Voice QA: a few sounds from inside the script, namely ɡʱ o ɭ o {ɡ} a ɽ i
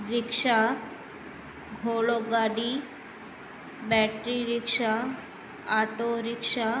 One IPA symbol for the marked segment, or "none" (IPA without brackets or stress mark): ɡ